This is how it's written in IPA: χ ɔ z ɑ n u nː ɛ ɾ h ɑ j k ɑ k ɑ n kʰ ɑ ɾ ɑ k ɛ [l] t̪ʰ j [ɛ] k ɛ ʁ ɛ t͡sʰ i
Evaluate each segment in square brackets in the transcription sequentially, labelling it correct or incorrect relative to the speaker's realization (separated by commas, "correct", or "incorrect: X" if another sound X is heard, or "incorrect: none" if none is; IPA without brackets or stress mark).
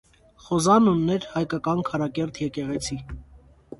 incorrect: ɾ, correct